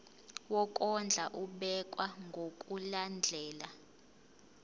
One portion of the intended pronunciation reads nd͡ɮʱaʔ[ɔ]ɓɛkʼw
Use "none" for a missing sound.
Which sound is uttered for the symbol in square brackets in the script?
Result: u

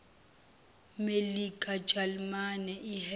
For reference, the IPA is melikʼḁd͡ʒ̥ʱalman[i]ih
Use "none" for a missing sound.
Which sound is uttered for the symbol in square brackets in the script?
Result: ɛ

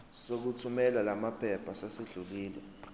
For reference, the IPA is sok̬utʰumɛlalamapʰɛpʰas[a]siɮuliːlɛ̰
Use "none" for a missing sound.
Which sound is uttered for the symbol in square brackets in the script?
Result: a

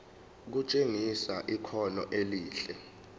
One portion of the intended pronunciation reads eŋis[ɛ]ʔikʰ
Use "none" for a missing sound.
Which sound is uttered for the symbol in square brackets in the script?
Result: a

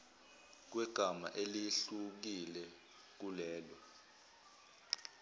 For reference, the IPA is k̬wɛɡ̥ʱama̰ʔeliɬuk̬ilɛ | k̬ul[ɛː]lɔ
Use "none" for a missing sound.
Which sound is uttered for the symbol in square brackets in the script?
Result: ɛː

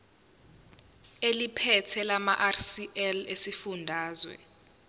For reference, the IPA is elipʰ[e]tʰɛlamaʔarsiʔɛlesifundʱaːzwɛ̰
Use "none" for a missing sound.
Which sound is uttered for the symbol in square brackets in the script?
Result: ɛ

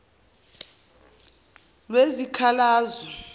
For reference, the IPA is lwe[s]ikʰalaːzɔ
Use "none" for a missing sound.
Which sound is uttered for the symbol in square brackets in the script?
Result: z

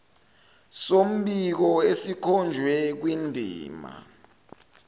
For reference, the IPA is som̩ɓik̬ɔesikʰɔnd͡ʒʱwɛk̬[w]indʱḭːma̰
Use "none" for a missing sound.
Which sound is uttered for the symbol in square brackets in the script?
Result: w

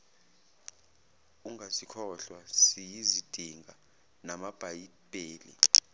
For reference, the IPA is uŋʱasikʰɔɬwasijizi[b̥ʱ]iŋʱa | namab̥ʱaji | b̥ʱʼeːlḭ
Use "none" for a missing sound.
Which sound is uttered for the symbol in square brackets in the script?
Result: d̥ʱ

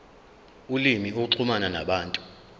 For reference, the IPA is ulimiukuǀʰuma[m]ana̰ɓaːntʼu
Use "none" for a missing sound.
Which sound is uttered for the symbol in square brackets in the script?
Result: n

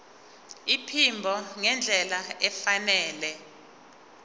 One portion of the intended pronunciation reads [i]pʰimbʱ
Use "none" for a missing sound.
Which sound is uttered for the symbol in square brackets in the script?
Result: i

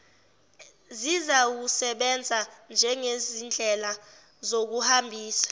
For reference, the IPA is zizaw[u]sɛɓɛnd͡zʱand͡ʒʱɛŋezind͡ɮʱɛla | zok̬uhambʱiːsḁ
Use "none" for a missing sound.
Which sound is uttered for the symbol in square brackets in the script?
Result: u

